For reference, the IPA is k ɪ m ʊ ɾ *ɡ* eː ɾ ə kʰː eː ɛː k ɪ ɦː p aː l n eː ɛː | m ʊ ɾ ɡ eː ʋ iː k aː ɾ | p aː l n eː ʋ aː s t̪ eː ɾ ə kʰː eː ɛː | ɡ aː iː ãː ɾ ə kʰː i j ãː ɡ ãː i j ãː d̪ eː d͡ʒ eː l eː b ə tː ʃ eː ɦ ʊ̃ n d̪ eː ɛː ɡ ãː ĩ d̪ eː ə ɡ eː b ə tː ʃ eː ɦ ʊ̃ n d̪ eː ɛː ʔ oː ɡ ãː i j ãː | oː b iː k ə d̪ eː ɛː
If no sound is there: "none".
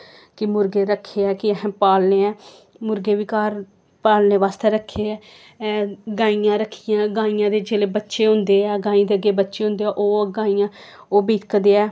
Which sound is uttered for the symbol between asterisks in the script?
ɡ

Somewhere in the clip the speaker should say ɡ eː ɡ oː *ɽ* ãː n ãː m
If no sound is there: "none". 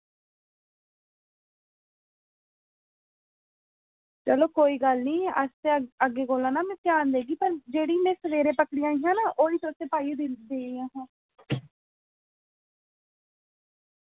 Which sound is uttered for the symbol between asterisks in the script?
l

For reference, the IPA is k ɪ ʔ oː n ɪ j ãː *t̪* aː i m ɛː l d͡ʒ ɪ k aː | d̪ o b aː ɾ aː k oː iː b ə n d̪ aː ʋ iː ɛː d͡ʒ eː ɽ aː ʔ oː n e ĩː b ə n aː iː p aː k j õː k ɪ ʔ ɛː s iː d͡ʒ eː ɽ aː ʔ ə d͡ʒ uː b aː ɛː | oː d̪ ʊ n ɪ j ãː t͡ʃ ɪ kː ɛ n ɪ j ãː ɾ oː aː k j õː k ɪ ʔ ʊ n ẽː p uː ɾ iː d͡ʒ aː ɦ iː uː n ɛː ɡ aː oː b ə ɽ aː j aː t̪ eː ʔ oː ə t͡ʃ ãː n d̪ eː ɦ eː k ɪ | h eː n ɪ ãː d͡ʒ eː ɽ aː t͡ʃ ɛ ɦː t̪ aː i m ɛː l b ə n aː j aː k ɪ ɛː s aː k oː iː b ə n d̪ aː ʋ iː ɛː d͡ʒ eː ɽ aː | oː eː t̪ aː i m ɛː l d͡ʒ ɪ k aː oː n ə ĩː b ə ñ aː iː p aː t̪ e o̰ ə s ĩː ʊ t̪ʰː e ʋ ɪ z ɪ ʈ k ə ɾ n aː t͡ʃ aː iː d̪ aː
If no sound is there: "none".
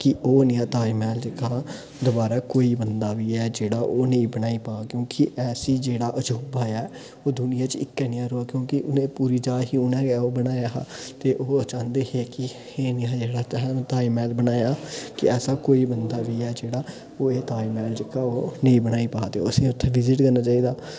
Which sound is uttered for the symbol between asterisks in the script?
t̪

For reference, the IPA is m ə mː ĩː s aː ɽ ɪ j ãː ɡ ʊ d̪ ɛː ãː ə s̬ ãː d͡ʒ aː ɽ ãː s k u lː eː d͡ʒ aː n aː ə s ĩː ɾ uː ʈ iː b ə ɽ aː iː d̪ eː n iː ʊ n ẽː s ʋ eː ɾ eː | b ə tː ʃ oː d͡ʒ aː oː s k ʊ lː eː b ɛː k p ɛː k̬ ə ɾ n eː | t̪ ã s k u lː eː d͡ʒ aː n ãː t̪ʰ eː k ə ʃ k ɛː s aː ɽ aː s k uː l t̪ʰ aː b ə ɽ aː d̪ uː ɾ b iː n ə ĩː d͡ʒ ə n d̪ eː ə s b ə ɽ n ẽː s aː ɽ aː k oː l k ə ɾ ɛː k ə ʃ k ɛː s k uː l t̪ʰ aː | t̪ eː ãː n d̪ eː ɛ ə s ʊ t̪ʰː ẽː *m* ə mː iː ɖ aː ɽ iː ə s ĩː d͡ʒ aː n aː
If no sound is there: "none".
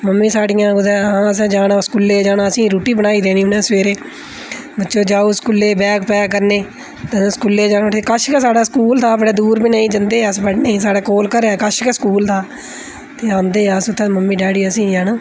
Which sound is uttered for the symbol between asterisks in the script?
m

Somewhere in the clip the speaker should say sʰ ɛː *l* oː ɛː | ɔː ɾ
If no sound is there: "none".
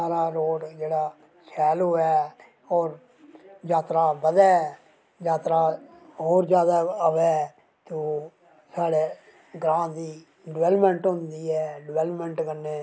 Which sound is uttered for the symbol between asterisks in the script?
l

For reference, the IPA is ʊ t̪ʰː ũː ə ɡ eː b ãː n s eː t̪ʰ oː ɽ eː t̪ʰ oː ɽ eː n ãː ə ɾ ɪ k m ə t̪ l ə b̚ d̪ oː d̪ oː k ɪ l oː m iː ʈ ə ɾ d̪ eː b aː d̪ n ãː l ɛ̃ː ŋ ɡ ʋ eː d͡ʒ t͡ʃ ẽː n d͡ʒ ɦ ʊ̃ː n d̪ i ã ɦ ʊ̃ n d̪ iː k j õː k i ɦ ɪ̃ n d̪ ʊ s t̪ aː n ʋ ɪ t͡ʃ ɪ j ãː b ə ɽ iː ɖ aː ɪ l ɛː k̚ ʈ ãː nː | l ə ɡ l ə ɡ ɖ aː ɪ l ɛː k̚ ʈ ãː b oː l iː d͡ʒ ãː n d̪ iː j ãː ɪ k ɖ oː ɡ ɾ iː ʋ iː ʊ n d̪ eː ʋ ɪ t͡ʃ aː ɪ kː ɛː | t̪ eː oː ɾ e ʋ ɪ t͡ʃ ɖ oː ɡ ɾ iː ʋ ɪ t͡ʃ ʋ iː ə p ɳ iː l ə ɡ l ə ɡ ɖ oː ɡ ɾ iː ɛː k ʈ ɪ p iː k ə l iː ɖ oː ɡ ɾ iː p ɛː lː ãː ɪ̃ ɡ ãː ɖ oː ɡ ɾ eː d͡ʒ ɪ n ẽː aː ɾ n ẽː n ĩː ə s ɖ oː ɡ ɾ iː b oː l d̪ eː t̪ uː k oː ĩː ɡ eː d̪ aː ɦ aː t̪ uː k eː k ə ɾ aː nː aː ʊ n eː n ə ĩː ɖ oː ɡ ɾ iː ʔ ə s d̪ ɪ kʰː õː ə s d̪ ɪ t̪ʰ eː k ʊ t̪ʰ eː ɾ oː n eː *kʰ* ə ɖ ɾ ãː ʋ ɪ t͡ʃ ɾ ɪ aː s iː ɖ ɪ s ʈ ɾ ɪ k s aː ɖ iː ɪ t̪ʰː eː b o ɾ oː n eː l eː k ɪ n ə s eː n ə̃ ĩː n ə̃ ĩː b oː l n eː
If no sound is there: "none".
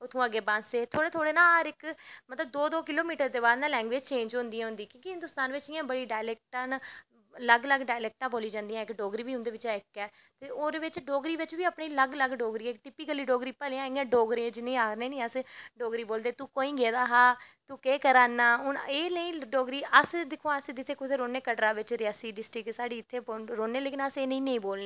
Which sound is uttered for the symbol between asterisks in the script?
k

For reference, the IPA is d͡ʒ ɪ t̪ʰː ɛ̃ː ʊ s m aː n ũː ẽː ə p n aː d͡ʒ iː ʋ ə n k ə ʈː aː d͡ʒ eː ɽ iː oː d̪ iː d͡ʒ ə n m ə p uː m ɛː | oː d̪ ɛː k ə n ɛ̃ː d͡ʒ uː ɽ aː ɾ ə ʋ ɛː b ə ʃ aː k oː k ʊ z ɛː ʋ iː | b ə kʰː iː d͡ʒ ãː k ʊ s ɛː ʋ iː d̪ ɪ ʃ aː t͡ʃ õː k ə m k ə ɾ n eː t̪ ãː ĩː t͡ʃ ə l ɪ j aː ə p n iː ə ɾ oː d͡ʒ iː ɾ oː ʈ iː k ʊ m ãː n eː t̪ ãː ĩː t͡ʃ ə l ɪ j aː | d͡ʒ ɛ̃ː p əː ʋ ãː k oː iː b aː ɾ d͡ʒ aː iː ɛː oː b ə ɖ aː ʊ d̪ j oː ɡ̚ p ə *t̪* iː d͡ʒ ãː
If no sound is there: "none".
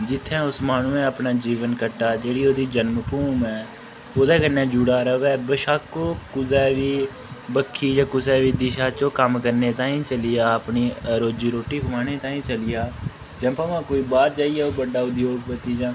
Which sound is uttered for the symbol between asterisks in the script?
t̪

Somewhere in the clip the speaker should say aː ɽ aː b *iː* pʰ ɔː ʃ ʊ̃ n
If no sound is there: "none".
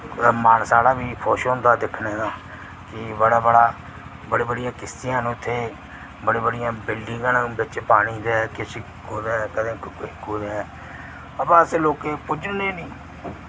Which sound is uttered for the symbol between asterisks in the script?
iː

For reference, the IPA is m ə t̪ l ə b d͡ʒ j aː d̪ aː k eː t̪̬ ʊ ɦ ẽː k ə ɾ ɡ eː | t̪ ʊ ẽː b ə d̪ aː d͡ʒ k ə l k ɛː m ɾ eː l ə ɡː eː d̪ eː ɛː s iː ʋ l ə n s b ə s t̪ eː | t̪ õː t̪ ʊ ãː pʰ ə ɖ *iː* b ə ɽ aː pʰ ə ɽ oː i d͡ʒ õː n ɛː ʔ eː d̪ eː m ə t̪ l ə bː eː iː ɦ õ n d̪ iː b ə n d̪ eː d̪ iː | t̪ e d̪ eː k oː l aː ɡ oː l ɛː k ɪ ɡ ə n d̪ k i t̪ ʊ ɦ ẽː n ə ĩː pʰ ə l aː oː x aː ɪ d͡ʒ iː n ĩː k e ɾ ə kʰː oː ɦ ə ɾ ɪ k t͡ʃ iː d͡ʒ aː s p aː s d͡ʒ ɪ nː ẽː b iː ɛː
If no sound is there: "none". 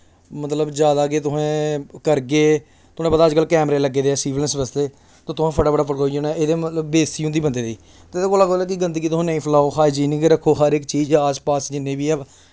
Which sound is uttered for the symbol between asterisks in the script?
aː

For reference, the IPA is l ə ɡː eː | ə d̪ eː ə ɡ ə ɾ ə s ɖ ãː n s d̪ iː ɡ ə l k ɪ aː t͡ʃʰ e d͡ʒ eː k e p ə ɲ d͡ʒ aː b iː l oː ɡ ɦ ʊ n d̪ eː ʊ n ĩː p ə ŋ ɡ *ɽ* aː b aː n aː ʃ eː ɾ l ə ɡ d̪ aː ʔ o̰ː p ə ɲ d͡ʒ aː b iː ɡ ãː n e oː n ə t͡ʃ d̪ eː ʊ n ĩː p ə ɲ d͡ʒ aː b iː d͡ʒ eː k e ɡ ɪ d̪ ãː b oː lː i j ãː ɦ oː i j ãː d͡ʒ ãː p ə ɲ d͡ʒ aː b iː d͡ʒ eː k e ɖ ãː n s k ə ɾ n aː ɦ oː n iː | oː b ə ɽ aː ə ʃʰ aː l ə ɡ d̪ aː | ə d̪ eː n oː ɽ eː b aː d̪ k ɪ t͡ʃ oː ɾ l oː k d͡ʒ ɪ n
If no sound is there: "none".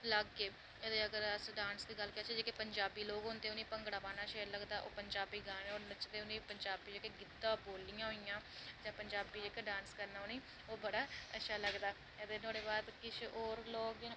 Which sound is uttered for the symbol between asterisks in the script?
ɽ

